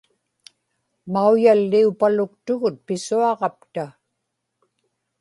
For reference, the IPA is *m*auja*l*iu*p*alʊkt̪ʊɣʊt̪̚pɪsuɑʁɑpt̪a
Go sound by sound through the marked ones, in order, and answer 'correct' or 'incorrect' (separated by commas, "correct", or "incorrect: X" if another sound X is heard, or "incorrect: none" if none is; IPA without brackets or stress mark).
correct, incorrect: lː, correct